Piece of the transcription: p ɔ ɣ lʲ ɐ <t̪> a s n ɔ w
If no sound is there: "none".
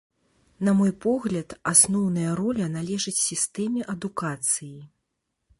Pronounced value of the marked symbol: t̪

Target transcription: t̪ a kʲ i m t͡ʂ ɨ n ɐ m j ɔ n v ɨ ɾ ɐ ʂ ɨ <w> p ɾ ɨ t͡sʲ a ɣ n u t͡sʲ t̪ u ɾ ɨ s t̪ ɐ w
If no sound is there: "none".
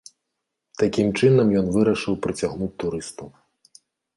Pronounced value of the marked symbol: w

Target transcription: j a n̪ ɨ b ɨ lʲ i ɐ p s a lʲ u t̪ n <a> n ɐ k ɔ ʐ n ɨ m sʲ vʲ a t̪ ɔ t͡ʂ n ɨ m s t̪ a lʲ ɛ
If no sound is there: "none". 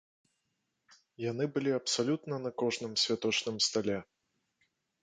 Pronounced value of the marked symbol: ɐ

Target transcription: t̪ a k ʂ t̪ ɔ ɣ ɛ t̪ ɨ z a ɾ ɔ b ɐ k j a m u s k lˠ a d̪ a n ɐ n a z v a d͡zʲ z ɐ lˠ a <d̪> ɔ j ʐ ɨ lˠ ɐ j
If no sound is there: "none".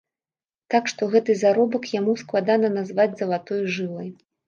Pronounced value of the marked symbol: t̪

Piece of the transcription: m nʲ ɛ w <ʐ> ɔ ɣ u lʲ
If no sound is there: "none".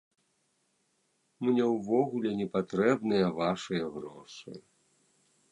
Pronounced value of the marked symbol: v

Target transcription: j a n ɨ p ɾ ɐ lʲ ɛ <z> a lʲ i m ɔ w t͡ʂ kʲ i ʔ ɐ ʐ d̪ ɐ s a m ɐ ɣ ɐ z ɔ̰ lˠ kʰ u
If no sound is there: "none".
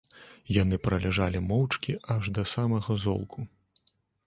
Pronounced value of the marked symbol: ʐ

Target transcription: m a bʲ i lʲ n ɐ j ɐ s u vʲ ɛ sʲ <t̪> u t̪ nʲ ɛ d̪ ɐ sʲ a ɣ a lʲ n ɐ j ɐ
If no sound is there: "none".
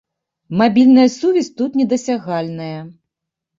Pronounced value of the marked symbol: t̪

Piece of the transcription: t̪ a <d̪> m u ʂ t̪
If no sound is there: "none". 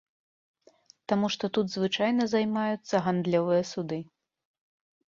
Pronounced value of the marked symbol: none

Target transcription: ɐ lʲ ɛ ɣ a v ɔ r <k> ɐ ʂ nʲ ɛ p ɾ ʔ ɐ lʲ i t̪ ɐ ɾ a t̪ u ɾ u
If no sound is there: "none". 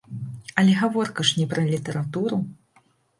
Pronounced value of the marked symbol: k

